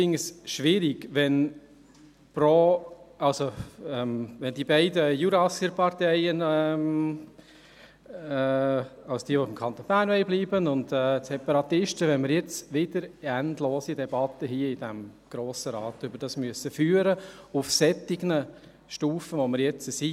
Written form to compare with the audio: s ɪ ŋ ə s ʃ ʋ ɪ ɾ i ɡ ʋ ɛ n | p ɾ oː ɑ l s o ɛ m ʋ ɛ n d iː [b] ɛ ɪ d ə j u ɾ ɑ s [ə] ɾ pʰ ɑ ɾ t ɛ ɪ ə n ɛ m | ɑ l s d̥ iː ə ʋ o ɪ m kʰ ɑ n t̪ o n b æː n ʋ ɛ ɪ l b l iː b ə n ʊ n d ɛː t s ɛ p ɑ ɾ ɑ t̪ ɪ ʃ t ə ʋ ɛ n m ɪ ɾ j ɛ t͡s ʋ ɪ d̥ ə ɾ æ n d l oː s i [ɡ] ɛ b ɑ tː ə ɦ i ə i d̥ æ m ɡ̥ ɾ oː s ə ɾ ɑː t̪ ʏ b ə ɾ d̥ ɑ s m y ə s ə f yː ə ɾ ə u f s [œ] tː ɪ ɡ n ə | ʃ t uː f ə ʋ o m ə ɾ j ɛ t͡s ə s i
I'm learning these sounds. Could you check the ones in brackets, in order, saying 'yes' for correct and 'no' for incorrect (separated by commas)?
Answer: yes, yes, no, no